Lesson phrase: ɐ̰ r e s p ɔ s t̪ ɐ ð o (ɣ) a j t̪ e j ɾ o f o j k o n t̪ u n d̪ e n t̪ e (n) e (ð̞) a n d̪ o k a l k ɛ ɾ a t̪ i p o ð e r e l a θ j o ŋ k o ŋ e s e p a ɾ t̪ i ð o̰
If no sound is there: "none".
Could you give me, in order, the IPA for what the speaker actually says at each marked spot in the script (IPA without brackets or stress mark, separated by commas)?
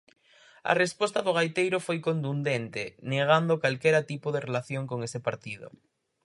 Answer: ɣ, n, ɣ̞